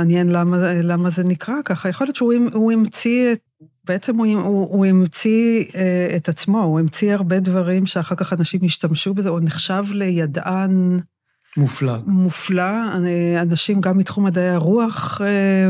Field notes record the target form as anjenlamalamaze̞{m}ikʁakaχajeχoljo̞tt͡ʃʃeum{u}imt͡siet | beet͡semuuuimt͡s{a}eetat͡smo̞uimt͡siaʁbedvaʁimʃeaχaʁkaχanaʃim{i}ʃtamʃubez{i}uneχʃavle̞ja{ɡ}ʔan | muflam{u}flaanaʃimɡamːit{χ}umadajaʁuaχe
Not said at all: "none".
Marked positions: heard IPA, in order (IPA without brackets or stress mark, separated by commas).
n, u, i, i, e, d, u, χ